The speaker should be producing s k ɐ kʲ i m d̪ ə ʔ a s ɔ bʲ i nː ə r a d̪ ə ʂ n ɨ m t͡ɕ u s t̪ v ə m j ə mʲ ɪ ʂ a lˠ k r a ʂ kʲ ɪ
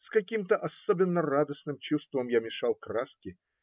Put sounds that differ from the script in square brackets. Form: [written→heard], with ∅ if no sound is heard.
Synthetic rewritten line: s k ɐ kʲ i m [d̪→t̪] ə ʔ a s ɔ bʲ [i→ɪ] nː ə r a d̪ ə [ʂ→s] n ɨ m t͡ɕ u s t̪ v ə m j [ə→a] mʲ ɪ ʂ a lˠ k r a [ʂ→s] kʲ ɪ